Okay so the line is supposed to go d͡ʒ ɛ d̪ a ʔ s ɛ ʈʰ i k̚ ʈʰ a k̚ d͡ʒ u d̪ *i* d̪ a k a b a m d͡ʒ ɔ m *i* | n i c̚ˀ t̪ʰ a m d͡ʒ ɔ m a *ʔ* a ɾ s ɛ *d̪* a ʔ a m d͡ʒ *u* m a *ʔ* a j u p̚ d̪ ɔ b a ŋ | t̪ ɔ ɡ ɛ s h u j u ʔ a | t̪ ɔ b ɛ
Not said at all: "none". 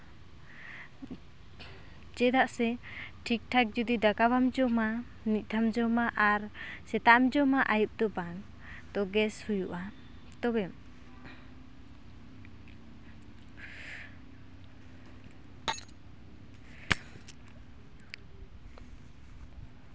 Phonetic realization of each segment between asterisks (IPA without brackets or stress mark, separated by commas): i, a, ʔ, t̪, ɔ, ʔ